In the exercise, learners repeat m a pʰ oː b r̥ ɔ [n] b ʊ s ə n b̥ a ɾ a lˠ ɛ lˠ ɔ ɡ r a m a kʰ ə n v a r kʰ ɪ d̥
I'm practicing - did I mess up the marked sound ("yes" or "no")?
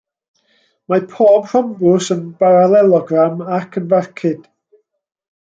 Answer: yes